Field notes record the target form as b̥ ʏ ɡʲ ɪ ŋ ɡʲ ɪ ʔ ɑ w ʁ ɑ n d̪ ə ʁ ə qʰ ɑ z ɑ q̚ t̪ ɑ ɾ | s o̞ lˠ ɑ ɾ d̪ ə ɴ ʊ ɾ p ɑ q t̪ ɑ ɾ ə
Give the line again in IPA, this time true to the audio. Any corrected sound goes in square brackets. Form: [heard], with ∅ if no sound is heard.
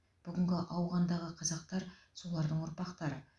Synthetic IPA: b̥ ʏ ɡʲ ɪ ŋ ɡʲ ɪ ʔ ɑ w ʁ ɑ n d̪ [ɑ] ʁ ə qʰ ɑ z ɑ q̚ t̪ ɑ ɾ | s o̞ lˠ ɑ ɾ d̪ ə ɴ ʊ ɾ p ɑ q t̪ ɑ ɾ ə